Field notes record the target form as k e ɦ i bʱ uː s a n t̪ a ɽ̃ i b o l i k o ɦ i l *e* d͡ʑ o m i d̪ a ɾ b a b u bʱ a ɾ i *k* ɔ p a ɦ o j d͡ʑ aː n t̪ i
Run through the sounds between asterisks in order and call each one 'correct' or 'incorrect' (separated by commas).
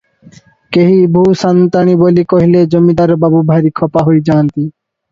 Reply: correct, incorrect